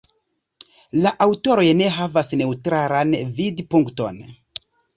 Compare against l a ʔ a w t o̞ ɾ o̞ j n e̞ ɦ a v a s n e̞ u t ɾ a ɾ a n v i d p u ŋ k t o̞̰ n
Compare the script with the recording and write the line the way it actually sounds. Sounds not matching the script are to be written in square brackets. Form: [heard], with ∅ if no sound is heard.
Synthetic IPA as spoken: l a ʔ a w t o̞ ɾ o̞ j n e̞ ɦ a v a s n e̞ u t ɾ a ɾ a n v i d p u ŋ k t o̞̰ n